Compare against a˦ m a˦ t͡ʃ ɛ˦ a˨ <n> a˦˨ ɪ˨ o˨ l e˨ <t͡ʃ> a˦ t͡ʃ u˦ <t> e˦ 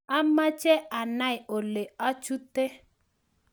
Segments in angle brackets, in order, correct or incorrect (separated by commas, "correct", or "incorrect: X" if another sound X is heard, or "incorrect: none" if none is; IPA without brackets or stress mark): correct, incorrect: none, correct